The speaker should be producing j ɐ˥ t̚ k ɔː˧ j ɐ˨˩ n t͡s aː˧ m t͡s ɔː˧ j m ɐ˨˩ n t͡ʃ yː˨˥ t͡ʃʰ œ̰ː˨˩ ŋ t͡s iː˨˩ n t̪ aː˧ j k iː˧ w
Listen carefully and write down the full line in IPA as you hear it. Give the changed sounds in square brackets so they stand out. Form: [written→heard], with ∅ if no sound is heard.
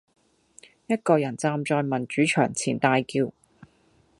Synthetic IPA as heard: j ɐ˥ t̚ k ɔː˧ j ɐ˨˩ n t͡s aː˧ m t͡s ɔː˧ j m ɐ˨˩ n t͡ʃ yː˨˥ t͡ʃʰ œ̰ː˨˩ ŋ [t͡s→t͡sʰ] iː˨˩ n t̪ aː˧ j k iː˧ w